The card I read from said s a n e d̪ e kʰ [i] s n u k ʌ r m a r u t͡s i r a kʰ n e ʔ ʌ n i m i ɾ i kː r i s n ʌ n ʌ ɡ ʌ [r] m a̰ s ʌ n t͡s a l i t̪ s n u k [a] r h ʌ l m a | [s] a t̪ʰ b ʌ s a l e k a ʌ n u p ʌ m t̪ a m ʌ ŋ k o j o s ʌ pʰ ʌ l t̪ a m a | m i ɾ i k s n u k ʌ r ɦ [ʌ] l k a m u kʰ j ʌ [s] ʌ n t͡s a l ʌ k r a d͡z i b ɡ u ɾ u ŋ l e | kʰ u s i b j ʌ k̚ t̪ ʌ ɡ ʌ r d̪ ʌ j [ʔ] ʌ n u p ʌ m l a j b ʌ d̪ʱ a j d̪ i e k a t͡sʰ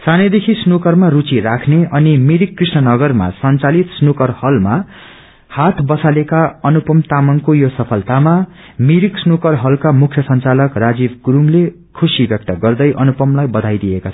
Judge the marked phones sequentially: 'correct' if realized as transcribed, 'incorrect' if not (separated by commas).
correct, correct, incorrect, incorrect, correct, correct, correct